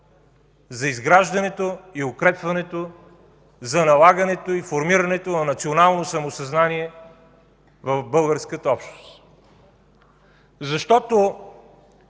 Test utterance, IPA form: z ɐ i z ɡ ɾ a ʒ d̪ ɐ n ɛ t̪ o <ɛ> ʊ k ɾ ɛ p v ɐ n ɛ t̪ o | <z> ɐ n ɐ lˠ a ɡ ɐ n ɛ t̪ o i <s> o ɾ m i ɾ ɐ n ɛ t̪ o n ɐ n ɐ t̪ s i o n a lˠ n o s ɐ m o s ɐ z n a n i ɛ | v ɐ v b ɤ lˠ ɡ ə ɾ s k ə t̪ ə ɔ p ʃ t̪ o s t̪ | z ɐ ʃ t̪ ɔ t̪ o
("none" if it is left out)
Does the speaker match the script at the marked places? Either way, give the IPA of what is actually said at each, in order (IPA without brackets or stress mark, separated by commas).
i, z, f